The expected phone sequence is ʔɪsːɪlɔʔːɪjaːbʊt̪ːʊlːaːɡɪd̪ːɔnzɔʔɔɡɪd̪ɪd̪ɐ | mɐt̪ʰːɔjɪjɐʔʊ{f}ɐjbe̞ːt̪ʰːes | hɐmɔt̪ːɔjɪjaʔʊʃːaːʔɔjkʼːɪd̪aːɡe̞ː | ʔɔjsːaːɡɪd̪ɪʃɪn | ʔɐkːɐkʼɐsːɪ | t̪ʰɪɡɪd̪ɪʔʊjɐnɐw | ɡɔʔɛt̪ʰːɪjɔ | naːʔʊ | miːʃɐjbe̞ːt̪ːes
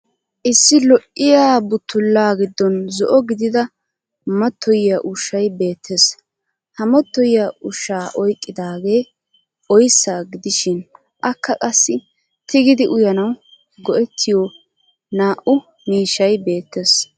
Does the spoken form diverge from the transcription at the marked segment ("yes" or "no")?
yes